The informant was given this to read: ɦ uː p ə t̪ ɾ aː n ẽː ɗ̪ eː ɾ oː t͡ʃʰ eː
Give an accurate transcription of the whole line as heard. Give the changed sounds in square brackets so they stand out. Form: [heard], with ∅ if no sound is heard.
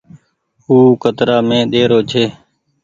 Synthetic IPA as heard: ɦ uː [k] ə t̪ ɾ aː [m] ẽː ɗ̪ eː ɾ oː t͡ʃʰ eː

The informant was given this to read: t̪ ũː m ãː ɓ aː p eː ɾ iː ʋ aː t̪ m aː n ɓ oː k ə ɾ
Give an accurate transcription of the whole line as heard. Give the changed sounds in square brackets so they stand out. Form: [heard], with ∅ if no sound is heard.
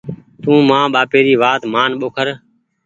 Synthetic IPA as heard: t̪ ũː m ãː ɓ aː p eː ɾ iː ʋ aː t̪ m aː n ɓ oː [kʰ] ə ɾ

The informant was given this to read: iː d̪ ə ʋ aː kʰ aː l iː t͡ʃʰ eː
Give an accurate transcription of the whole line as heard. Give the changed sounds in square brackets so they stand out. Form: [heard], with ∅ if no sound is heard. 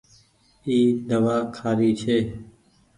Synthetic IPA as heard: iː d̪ ə ʋ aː kʰ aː [ɾ] iː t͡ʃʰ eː

